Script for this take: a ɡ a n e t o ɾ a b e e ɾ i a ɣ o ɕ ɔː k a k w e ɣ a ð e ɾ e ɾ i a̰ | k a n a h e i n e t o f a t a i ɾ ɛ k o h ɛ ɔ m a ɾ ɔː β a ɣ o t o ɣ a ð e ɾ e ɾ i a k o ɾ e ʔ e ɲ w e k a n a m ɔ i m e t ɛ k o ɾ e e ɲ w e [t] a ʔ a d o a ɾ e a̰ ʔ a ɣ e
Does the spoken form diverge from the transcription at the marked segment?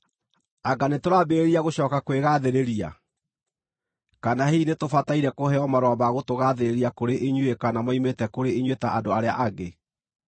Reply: no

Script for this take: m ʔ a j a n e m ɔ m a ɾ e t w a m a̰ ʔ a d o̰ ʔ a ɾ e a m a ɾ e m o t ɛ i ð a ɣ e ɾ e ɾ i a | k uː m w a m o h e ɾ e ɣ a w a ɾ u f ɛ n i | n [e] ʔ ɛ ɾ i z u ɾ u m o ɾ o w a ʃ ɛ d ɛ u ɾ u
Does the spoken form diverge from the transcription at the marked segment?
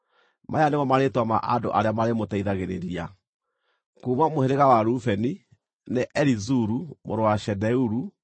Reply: no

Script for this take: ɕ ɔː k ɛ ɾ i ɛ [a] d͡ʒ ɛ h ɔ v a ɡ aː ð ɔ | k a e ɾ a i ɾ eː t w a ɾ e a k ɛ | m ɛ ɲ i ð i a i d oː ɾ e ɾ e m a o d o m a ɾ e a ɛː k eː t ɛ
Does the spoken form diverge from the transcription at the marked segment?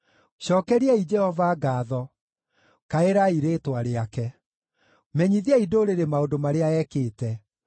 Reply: yes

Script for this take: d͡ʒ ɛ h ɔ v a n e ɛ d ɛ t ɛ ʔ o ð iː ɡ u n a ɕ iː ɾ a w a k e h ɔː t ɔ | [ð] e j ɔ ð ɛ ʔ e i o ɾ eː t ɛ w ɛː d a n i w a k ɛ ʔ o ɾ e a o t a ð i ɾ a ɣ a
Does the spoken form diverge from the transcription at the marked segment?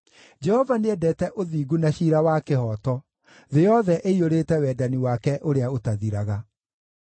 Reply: no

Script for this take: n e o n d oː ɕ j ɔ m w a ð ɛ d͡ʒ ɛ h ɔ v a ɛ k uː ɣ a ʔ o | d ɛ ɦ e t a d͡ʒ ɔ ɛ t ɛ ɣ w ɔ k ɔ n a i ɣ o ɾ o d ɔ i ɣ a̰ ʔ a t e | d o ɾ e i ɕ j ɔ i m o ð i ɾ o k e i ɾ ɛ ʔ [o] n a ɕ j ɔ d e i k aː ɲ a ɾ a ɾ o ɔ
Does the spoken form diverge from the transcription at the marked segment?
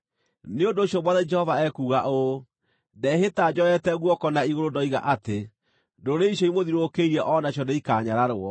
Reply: yes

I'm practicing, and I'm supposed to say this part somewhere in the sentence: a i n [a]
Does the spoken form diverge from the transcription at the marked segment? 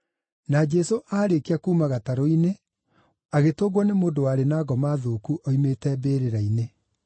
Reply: yes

